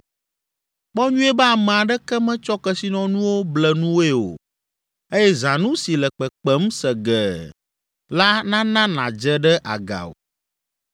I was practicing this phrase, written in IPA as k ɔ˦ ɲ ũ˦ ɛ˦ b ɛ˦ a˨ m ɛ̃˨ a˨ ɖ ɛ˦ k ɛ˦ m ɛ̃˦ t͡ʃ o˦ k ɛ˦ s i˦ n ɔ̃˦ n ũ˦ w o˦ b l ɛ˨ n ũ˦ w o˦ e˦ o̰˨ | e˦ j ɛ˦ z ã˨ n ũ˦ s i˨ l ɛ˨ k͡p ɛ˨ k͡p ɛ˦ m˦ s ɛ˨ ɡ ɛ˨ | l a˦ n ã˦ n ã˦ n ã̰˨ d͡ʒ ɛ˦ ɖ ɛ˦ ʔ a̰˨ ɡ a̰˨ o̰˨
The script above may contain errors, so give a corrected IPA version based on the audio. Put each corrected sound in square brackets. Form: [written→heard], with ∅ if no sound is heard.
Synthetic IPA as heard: [k→k͡p] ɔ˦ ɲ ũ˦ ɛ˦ b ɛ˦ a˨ m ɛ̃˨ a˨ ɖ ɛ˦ k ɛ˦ m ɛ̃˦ t͡ʃ [o˦→ɔ˦] k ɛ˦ s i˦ n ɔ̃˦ n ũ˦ w o˦ b l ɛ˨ n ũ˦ w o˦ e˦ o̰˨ | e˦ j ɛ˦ z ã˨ n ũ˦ s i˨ l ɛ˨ k͡p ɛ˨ k͡p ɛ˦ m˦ s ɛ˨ ɡ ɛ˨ | l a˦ n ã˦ n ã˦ n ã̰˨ d͡ʒ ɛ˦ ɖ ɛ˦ ʔ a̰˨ ɡ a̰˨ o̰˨

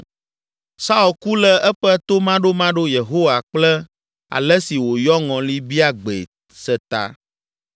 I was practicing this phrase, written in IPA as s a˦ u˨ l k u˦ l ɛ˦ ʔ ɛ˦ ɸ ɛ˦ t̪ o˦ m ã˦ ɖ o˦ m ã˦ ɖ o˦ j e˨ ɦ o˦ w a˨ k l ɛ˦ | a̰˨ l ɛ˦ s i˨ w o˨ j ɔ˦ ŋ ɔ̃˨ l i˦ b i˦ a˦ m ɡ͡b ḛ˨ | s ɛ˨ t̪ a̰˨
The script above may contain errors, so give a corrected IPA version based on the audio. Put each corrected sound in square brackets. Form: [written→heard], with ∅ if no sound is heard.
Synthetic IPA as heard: s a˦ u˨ l k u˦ l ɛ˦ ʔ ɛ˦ ɸ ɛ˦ t̪ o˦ m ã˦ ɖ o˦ m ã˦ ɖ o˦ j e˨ ɦ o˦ w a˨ [k→k͡p] l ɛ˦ | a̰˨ l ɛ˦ s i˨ w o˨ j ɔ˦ ŋ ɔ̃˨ l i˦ b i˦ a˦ [m→∅] ɡ͡b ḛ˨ | s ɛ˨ t̪ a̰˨

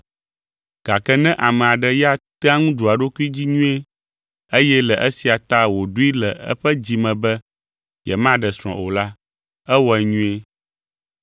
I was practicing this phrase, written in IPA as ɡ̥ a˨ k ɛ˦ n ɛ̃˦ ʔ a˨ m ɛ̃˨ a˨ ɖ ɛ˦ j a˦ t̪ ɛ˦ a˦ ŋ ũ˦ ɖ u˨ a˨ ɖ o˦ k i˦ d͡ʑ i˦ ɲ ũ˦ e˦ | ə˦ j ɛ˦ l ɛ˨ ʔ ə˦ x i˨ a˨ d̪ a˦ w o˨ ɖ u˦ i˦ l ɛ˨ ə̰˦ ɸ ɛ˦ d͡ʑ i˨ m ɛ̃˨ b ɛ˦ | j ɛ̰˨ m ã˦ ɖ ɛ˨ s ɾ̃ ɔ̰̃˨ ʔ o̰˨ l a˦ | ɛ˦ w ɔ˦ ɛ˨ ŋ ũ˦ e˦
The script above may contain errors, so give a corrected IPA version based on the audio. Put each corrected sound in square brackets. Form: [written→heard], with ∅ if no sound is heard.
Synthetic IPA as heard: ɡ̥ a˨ k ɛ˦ n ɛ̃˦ ʔ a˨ m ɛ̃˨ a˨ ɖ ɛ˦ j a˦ t̪ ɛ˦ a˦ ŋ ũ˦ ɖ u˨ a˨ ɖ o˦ k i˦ d͡ʑ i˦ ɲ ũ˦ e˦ | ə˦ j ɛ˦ l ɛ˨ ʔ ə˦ [x→s] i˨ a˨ [d̪→t̪] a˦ w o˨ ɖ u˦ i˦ l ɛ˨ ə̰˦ ɸ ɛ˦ d͡ʑ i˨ m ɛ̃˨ b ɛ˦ | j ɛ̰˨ m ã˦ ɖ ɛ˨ s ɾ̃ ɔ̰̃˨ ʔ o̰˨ l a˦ | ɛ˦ w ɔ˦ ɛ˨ [ŋ→ɲ] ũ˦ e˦

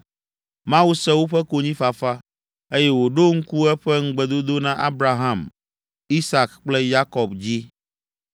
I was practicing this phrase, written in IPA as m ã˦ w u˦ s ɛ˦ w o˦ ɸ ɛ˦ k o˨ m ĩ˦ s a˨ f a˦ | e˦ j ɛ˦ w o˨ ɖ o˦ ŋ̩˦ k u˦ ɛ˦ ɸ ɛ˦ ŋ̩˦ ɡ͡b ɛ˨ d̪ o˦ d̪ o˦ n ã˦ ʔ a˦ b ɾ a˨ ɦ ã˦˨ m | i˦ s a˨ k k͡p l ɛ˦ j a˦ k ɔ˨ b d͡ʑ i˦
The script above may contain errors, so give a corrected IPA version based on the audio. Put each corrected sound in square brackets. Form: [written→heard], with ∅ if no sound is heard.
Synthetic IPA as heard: m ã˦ w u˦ s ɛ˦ w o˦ ɸ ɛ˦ k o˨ [m→ɲ] ĩ˦ [s→f] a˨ f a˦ | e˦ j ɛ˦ w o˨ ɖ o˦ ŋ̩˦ k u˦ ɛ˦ ɸ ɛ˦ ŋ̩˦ ɡ͡b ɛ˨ d̪ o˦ d̪ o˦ n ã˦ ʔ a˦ b ɾ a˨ ɦ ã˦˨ m | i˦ s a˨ k k͡p l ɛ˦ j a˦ k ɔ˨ b d͡ʑ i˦

